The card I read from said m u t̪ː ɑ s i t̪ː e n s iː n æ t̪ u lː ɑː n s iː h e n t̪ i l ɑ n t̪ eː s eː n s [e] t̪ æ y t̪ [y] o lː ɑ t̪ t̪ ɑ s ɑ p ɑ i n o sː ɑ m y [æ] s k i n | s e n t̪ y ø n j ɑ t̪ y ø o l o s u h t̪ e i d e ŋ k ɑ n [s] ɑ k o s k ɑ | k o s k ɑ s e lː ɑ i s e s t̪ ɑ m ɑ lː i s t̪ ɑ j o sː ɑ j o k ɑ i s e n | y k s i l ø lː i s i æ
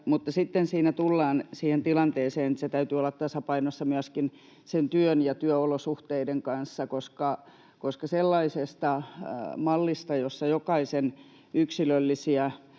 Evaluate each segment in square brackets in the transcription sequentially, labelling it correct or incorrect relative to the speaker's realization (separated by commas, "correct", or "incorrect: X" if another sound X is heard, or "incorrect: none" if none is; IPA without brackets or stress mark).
correct, correct, correct, incorrect: sː